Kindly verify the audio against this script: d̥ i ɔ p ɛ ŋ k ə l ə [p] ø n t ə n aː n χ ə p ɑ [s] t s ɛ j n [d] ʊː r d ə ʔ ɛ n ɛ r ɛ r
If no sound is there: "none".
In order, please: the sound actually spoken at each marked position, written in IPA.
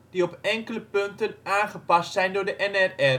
p, s, d

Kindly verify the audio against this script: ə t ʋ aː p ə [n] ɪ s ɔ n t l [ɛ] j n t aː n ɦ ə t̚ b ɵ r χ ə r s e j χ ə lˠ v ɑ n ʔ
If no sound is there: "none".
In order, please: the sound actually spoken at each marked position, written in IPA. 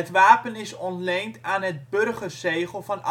n, e

